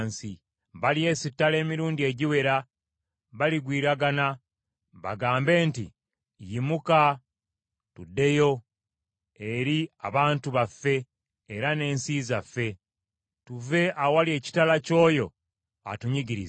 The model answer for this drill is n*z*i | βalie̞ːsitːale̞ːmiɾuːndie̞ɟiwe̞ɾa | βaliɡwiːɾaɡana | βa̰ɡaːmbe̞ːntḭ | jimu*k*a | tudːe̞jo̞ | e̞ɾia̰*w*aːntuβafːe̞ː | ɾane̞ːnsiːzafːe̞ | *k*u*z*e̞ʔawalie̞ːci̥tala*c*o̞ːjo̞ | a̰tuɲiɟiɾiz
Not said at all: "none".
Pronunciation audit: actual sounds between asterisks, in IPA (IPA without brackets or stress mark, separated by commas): s, k, β, t, v, c